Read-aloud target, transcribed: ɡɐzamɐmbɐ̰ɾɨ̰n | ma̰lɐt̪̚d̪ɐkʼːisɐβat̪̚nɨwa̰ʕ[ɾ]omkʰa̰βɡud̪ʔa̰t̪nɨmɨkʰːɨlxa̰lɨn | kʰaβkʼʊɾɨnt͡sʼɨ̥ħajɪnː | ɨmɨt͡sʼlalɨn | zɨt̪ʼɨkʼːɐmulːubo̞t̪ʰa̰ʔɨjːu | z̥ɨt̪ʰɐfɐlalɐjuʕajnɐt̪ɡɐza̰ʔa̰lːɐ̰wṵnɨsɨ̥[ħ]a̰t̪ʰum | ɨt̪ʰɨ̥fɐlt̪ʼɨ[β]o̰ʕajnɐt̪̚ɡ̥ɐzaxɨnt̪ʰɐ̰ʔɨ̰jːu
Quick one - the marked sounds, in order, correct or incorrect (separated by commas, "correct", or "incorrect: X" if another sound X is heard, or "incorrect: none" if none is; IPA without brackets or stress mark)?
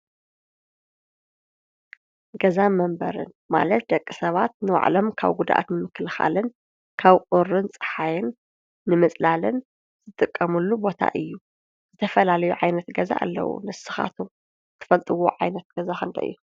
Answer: incorrect: l, incorrect: x, incorrect: w